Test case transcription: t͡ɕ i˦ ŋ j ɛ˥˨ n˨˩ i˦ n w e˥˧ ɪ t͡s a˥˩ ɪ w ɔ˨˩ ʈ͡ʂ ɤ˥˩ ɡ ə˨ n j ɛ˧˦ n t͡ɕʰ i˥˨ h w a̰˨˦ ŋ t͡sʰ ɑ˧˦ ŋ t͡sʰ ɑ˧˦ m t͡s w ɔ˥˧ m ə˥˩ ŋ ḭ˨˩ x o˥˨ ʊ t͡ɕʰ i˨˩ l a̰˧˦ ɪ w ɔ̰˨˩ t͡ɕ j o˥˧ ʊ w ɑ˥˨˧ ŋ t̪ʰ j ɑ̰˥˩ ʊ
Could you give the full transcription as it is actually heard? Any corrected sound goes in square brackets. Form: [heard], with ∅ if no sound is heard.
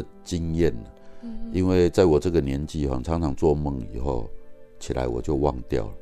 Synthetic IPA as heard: t͡ɕ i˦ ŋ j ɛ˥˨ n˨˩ i˦ n w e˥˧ ɪ t͡s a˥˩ ɪ w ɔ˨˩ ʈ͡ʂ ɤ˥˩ ɡ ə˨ n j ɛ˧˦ n [t͡ɕ] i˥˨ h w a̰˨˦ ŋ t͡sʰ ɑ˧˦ ŋ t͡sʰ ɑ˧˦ [ŋ] t͡s w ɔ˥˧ m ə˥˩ ŋ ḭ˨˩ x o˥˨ ʊ t͡ɕʰ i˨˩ l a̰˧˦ ɪ w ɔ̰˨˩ t͡ɕ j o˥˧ ʊ w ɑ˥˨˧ ŋ [t̪] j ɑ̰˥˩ ʊ